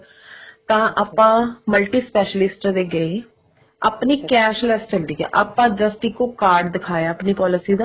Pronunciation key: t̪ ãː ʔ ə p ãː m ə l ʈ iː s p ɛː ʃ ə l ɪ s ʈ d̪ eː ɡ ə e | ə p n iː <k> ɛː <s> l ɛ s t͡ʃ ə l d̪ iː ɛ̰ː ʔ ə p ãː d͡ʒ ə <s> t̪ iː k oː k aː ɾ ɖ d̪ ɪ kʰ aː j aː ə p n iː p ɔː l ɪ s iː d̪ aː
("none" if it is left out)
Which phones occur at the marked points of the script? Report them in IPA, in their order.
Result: k, ʃ, s

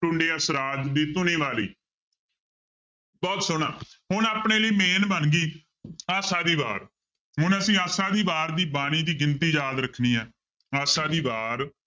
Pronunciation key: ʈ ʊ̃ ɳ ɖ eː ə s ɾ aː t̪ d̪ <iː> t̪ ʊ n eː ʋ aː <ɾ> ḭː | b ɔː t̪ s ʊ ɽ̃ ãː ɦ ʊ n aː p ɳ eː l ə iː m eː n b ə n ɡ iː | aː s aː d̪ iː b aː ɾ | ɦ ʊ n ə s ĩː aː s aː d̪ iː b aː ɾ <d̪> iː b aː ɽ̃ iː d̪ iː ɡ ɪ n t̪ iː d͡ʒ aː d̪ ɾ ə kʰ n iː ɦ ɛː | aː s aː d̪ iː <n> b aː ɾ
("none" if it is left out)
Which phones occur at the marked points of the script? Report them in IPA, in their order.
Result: iː, l, d̪, none

